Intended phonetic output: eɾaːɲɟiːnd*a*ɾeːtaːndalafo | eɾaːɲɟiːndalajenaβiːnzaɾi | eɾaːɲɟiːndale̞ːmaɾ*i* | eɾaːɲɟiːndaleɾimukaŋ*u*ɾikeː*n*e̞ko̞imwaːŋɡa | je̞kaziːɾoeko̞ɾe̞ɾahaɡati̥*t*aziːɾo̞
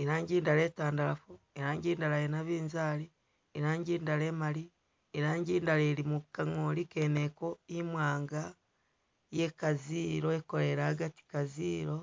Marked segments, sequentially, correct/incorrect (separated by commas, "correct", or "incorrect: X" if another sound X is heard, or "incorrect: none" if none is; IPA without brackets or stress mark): correct, correct, incorrect: o, correct, incorrect: k